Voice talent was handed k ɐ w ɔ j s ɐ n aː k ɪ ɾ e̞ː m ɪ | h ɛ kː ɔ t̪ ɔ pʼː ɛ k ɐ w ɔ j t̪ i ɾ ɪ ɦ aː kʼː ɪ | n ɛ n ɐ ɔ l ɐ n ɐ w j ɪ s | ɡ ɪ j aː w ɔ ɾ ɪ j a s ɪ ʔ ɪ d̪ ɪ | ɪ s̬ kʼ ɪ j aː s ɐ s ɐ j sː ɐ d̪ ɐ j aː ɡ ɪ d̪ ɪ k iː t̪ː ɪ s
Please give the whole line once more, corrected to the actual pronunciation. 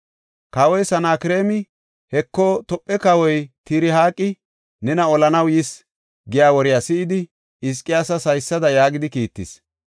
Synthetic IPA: k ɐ w ɔ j s ɐ n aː k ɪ ɾ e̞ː m ɪ | h ɛ kː ɔ t̪ ɔ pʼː ɛ k ɐ w ɔ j t̪ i ɾ ɪ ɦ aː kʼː ɪ | n ɛ n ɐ ɔ l ɐ n ɐ w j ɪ s | ɡ ɪ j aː w ɔ ɾ ɪ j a s ɪ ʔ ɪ d̪ ɪ | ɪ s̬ kʼ ɪ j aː s ɐ s ɐ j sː ɐ d̪ ɐ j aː ɡ ɪ d̪ ɪ k iː t̪ː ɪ s